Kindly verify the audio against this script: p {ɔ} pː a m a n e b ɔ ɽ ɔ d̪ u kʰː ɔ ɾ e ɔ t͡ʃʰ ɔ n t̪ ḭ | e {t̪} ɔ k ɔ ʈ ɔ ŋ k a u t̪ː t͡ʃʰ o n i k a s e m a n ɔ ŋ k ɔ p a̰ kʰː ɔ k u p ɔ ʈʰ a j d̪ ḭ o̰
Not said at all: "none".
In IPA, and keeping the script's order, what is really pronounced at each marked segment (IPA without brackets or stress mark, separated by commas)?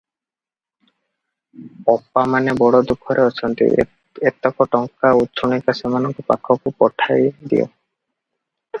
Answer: ɔ, t̪